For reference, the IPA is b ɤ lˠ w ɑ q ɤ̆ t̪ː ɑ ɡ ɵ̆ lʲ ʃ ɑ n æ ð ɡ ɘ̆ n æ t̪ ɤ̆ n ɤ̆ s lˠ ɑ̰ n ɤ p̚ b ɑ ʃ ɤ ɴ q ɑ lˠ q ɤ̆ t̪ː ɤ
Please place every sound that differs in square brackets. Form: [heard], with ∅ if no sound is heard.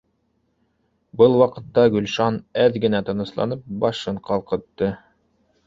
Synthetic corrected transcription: b ɤ lˠ w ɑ q ɤ̆ t̪ː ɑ ɡ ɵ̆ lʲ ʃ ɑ n æ ð ɡ ɘ̆ n æ t̪ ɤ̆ n ɤ̆ s lˠ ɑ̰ n ɤ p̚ b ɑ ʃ ɤ ɴ q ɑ lˠ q ɤ̆ t̪ː ɤ